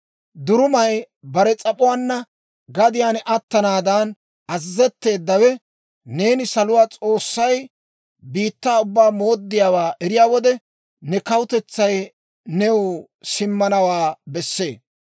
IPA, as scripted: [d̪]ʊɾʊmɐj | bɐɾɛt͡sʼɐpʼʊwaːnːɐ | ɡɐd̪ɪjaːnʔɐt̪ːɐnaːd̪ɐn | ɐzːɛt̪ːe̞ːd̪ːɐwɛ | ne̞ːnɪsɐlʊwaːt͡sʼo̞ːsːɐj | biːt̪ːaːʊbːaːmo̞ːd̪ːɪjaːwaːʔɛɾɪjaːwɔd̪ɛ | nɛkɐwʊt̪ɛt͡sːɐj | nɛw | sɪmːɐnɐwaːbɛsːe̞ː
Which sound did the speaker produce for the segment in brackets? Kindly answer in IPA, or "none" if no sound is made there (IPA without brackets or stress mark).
d̪